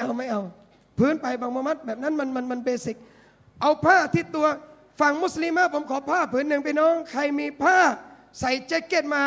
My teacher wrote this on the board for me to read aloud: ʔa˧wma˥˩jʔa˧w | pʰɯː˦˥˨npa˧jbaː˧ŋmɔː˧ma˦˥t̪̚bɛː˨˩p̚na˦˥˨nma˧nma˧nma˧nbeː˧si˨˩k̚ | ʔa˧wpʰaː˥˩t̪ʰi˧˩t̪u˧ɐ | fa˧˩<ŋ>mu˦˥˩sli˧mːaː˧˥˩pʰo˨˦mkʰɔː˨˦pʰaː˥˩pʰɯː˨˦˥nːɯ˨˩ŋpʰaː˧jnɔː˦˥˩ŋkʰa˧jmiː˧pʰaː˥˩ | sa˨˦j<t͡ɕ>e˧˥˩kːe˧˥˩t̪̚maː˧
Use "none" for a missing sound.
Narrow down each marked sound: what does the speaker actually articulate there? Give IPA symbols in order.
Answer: ŋ, t͡ɕ

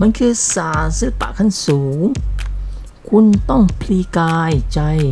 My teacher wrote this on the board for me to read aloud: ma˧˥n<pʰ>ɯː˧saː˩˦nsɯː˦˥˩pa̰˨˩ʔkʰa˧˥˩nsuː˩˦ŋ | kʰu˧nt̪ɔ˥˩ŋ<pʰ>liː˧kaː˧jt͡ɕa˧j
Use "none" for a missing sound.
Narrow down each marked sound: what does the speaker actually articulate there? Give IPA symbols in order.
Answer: kʰ, pʰ

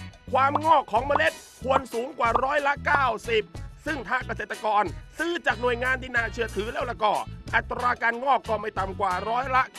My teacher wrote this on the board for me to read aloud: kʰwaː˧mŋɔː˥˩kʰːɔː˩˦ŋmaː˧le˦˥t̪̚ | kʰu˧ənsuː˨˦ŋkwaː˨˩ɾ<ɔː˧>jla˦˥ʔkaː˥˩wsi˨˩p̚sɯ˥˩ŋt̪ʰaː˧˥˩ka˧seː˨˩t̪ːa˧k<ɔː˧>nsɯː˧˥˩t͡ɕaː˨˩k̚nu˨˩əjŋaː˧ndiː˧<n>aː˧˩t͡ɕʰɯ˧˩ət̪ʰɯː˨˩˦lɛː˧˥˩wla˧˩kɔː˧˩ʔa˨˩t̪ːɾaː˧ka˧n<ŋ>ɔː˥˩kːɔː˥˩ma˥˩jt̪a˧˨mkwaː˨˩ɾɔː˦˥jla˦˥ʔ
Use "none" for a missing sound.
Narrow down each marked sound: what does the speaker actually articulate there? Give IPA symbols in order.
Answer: ɔː˦˥, ɔː˧, n, ŋ

